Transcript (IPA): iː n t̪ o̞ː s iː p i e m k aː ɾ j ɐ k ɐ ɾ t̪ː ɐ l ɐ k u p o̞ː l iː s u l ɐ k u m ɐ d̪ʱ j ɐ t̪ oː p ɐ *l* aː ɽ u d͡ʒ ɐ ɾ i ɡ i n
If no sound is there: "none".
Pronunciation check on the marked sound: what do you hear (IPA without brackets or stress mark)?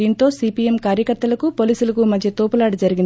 l